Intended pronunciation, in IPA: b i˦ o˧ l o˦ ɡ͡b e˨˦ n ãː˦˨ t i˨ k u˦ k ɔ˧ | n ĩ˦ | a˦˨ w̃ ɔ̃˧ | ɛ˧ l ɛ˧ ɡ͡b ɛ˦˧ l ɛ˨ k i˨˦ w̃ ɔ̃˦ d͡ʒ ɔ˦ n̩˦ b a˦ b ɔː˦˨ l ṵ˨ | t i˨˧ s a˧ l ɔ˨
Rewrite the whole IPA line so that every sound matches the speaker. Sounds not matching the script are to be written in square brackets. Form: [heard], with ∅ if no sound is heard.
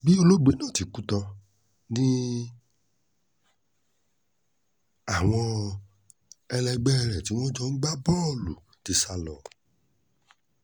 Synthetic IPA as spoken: b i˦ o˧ l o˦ ɡ͡b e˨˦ n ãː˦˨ t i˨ k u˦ [t] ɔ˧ | n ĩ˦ | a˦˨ w̃ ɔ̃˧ | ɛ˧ l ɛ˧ ɡ͡b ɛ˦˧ [ɾ] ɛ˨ [t] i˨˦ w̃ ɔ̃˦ d͡ʒ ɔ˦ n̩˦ [ɡ͡b] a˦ b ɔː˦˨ l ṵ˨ | t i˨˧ s a˧ l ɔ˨